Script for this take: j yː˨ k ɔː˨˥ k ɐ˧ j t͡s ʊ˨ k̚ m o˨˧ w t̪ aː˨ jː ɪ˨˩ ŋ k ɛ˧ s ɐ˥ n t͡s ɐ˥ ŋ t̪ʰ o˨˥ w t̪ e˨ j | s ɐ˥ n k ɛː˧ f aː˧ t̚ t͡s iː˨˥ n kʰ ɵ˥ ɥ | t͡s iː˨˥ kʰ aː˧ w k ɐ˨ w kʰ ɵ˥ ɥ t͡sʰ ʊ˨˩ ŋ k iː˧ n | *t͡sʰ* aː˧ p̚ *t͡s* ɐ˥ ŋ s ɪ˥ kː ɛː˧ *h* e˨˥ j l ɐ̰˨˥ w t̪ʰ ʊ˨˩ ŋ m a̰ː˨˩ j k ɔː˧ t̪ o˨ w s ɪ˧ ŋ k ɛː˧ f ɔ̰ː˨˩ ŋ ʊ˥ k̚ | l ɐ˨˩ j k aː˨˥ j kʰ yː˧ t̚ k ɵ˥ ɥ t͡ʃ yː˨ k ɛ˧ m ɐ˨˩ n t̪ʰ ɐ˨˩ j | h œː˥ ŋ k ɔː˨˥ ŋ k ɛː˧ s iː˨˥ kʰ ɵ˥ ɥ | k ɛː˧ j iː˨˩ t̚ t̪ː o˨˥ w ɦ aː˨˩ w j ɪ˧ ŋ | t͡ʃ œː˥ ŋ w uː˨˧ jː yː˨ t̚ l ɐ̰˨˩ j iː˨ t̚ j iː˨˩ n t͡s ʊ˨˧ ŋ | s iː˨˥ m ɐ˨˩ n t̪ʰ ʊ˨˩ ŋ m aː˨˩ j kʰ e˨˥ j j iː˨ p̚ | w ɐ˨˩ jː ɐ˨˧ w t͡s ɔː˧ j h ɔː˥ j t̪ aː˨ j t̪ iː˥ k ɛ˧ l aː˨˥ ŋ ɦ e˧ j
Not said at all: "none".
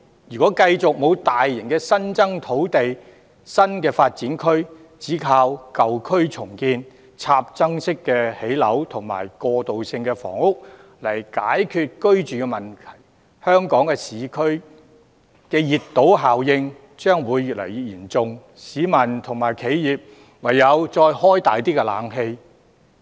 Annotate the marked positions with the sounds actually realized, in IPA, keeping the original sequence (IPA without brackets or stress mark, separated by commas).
t͡sʰ, t͡s, h